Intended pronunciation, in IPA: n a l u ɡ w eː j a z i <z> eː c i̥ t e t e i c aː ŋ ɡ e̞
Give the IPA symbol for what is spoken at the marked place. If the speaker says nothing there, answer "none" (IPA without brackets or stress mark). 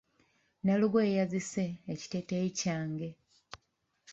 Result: s